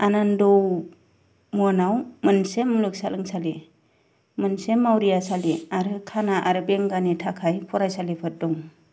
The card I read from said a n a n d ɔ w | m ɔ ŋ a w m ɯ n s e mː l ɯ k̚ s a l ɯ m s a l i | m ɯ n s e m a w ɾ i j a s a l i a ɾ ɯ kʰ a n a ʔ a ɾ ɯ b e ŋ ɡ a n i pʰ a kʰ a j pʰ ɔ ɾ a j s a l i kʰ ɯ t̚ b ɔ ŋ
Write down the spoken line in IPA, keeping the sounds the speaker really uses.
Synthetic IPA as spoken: a n a n d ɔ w | m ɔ n a w m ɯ n s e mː l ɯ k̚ s a l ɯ ŋ s a l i | m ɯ n s e m a w ɾ i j a s a l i a ɾ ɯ kʰ a n a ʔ a ɾ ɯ b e ŋ ɡ a n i tʰ a kʰ a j pʰ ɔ ɾ a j s a l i pʰ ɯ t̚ d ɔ ŋ